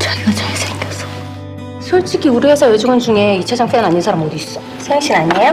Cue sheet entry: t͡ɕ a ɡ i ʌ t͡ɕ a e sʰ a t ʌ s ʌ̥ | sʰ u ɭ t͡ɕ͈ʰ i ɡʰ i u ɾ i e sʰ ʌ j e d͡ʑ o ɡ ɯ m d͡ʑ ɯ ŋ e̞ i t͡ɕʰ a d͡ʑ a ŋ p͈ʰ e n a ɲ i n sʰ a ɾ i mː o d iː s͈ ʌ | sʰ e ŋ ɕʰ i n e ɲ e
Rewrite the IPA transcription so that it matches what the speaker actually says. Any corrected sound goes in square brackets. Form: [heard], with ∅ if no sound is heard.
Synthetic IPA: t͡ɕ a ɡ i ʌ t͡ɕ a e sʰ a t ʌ s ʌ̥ | sʰ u ɭ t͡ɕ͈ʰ i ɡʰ i u ɾ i e sʰ ʌ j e d͡ʑ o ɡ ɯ [n] d͡ʑ [u] ŋ e̞ i t͡ɕʰ a d͡ʑ a ŋ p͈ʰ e n a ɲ i n sʰ a ɾ [a] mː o d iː s͈ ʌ | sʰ e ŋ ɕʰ i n [a] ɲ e

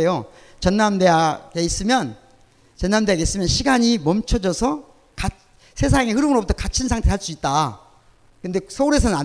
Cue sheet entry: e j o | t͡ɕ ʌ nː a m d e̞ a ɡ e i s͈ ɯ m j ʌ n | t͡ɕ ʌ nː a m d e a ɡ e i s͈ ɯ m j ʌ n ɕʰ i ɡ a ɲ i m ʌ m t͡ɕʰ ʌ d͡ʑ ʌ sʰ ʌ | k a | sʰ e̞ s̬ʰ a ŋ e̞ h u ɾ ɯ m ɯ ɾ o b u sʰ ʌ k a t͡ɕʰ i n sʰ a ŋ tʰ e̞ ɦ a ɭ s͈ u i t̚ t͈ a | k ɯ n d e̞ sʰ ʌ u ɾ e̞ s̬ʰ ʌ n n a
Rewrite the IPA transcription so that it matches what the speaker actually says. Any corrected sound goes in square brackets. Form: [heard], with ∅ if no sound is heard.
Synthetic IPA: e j o | t͡ɕ ʌ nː a m d e̞ a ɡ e i s͈ ɯ m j ʌ n | t͡ɕ ʌ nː a m d e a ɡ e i s͈ ɯ m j ʌ n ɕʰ i ɡ a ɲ i m ʌ m t͡ɕʰ ʌ d͡ʑ ʌ sʰ ʌ | k a | sʰ e̞ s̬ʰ a ŋ e̞ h [ɯ] ɾ ɯ m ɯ ɾ o b u [tʰ] ʌ k a t͡ɕʰ i n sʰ a ŋ tʰ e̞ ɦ a ɭ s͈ u i t̚ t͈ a | k ɯ n d e̞ sʰ ʌ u ɾ e̞ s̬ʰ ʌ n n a

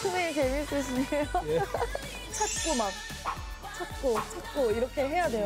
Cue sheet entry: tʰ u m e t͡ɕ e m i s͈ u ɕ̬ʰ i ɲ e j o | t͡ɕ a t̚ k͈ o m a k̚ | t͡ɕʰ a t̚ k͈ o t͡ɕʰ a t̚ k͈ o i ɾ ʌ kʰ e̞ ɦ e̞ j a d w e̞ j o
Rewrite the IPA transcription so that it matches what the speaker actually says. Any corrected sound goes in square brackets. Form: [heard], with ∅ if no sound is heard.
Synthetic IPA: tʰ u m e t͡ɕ e m i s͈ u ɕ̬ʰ i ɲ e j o | [t͡ɕʰ] a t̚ k͈ o m a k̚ | t͡ɕʰ a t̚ k͈ o t͡ɕʰ a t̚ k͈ o i ɾ ʌ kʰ e̞ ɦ e̞ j a d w e̞ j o

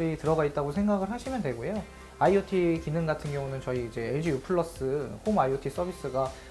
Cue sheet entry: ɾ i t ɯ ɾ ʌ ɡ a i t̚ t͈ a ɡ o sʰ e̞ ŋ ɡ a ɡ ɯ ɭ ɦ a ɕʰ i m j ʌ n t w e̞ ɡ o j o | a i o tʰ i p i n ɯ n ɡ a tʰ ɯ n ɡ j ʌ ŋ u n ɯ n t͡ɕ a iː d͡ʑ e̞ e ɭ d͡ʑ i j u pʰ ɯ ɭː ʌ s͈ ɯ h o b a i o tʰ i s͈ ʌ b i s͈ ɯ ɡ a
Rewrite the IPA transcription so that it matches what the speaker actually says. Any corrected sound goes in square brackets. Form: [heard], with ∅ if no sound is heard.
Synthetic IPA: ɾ i t ɯ ɾ ʌ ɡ a i t̚ t͈ a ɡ o sʰ e̞ ŋ ɡ a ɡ ɯ ɭ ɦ a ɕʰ i m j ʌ n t w e̞ ɡ o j o | a i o tʰ i [k] i n ɯ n ɡ a tʰ ɯ n ɡ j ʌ ŋ u n ɯ n t͡ɕ [ʌ] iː d͡ʑ e̞ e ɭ d͡ʑ i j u pʰ ɯ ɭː ʌ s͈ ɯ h o [m] a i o tʰ i s͈ ʌ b i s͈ ɯ ɡ a

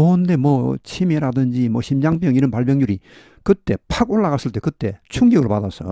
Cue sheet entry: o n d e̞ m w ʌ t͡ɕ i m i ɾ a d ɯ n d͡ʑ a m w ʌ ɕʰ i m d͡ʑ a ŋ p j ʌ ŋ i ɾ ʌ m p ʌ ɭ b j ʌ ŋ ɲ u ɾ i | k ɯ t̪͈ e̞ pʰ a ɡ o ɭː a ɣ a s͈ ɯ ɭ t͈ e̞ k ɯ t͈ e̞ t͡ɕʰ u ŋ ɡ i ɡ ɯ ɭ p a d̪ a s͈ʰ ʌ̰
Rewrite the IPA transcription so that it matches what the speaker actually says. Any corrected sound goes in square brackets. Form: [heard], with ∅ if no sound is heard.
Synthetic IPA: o n d e̞ m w ʌ [t͡ɕʰ] i m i ɾ a d ɯ n d͡ʑ [i] m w ʌ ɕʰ i m d͡ʑ a ŋ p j ʌ ŋ i ɾ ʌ [n] p [a] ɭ b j ʌ ŋ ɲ u ɾ i | k ɯ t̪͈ e̞ pʰ a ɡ o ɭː a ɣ a s͈ ɯ ɭ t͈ e̞ k ɯ t͈ e̞ t͡ɕʰ u ŋ ɡ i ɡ ɯ ɭ p a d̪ a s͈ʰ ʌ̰

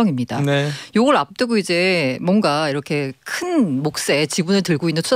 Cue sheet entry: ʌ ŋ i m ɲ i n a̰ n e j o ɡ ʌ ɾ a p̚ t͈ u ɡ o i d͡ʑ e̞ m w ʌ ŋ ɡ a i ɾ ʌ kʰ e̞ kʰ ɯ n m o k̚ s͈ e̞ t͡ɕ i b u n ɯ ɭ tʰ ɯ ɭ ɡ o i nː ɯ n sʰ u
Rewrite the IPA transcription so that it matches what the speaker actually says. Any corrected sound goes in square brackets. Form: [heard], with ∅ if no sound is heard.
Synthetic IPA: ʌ ŋ i m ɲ i [d] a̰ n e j o ɡ ʌ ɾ a p̚ t͈ [ɯ] ɡ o i d͡ʑ e̞ m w ʌ ŋ ɡ a i ɾ ʌ kʰ e̞ kʰ ɯ n m o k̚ s͈ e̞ t͡ɕ i b u n ɯ ɭ [t] ɯ ɭ ɡ o i nː ɯ n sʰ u

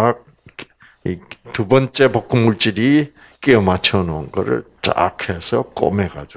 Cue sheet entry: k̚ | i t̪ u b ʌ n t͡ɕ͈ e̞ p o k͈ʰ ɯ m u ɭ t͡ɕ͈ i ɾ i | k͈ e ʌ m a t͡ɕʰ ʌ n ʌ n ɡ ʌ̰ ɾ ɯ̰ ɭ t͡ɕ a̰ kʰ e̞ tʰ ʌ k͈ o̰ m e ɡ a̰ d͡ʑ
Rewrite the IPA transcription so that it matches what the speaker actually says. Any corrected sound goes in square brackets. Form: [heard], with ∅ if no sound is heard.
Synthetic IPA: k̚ | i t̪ u b ʌ n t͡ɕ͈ e̞ p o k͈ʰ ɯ m u ɭ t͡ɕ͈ i ɾ i | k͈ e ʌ m a t͡ɕʰ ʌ n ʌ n ɡ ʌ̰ ɾ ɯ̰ ɭ t͡ɕ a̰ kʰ e̞ [sʰ] ʌ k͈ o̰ m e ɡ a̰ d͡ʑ

